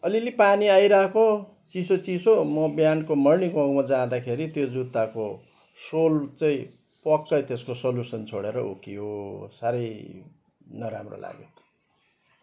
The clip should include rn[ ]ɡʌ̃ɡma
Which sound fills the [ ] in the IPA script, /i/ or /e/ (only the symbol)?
i